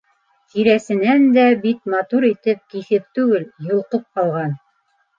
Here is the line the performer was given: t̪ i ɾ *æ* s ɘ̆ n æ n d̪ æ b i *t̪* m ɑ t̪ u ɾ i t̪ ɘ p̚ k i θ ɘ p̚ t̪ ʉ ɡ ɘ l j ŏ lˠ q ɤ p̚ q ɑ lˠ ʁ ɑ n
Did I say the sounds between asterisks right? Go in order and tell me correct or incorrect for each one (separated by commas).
correct, correct